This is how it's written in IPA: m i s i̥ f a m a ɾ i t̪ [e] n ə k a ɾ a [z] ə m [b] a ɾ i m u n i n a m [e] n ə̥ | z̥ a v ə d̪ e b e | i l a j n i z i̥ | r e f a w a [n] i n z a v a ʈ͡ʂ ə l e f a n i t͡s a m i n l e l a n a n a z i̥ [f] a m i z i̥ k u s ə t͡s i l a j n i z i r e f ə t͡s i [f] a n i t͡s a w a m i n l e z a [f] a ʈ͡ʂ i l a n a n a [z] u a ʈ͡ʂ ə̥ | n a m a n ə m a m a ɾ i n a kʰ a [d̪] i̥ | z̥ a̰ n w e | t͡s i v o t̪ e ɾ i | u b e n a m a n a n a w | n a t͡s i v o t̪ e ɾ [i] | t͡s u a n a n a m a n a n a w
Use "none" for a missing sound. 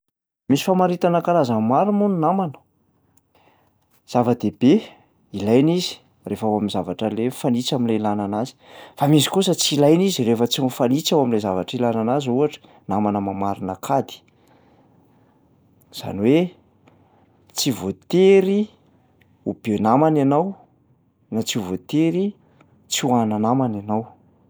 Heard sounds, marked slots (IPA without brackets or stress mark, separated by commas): a, z, m, a, m, f, f, v, z, d̪, i